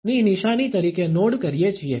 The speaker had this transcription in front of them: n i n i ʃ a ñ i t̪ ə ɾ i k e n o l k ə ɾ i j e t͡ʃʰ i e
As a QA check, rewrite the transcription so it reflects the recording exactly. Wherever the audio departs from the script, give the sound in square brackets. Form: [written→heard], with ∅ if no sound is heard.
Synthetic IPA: n i n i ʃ a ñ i t̪ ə ɾ i k e n o [l→ɽ] k ə ɾ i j e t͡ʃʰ i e